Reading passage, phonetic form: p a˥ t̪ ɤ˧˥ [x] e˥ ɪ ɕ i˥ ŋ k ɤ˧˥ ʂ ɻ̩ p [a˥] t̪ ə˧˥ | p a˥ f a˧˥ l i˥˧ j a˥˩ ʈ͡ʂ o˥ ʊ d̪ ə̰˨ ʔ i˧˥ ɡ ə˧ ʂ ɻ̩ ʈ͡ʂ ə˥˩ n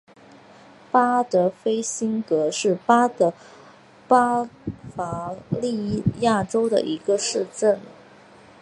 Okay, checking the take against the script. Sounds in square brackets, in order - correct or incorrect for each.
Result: incorrect, correct

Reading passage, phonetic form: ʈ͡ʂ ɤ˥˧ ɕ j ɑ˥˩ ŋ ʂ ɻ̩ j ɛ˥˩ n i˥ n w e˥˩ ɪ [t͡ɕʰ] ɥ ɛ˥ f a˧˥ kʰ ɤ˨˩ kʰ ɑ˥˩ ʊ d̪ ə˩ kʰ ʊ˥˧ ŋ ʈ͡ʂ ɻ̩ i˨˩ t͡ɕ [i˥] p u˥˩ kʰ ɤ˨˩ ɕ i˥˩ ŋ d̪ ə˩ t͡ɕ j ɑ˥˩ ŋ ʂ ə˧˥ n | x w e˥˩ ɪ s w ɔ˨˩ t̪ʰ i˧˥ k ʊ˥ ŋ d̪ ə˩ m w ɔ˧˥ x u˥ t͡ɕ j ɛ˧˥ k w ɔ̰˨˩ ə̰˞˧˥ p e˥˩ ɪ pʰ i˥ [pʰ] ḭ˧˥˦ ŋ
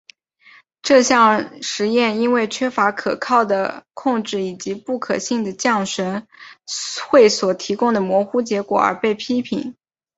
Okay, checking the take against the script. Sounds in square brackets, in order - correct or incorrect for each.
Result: correct, incorrect, correct

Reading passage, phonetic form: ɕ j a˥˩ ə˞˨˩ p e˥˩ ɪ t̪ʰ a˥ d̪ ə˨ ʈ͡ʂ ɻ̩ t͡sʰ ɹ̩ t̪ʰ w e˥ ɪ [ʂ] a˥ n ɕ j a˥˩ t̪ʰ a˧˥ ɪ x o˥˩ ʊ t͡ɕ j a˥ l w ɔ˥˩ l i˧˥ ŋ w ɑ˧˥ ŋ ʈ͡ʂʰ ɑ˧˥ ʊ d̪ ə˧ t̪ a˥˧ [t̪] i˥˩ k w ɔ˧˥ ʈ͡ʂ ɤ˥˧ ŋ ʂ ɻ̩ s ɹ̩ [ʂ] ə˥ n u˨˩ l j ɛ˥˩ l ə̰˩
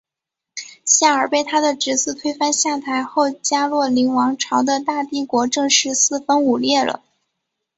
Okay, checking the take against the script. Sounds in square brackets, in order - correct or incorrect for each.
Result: incorrect, correct, incorrect

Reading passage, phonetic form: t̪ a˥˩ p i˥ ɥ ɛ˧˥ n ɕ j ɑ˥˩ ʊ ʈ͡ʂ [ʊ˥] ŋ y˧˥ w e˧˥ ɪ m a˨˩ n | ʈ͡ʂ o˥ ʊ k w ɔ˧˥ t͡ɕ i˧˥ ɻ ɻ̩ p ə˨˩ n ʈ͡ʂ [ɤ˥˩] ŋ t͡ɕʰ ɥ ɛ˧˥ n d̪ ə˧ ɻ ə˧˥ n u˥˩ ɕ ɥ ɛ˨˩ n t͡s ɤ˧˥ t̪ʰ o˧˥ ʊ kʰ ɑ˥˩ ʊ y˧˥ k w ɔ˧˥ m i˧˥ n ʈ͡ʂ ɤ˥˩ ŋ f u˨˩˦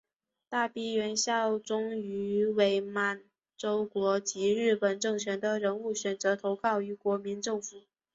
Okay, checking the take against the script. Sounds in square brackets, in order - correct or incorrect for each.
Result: correct, correct

